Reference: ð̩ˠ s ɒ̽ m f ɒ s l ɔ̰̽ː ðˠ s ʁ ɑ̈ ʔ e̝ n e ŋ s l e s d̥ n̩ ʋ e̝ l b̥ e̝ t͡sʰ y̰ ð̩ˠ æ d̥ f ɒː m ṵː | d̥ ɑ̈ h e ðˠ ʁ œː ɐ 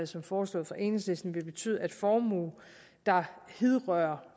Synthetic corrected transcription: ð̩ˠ s ɒ̽ m f ɒː s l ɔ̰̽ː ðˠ f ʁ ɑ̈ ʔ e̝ n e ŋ s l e s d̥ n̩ ʋ e̝ l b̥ e̝ t͡sʰ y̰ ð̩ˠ æ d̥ f ɒː m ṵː | d̥ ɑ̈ h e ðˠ ʁ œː ɐ